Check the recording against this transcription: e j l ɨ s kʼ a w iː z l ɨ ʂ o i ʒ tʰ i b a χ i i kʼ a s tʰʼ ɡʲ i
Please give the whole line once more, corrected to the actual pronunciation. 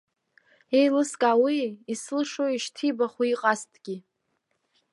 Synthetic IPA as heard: e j l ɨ s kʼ a w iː s l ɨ ʂ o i ʃ tʰ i b a χ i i qʼ a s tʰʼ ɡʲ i